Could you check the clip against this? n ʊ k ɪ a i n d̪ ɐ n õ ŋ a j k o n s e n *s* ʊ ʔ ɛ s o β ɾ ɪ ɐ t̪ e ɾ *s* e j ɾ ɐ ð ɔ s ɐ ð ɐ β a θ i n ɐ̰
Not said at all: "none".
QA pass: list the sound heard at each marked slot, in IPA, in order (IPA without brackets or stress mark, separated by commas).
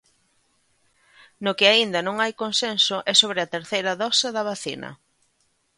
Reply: s, θ